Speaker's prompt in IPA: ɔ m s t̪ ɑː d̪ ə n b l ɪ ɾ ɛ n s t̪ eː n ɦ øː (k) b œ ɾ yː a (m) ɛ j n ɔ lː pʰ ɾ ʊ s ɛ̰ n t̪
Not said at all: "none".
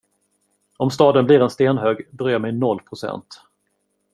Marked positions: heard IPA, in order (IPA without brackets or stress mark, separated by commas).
ɡ, m